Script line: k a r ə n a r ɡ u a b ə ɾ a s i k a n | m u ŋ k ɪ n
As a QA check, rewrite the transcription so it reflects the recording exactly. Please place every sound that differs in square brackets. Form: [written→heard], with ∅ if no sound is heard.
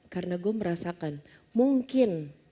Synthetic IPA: k a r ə n a [r→∅] ɡ u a [b→m] ə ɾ a s [i→a] k a n | m u ŋ k ɪ n